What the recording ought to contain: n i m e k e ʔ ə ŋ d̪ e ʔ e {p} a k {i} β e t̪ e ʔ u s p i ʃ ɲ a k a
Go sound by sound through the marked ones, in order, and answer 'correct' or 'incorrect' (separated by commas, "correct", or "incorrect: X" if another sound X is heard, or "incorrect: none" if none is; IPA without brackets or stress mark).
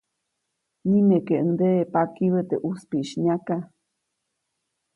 correct, correct